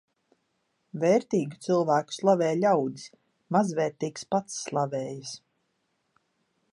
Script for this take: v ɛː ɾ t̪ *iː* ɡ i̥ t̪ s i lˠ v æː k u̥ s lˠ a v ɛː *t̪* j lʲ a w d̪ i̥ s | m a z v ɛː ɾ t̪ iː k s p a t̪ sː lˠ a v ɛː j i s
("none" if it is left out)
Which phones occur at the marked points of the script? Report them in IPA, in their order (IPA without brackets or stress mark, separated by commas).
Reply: iː, none